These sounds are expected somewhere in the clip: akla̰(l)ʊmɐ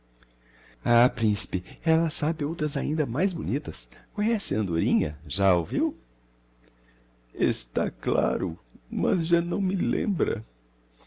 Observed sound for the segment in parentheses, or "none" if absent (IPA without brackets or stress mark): ɾ